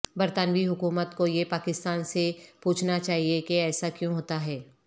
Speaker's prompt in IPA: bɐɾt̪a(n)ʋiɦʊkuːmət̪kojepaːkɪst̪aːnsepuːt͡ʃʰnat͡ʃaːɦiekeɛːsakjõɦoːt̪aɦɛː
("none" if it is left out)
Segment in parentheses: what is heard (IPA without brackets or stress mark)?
n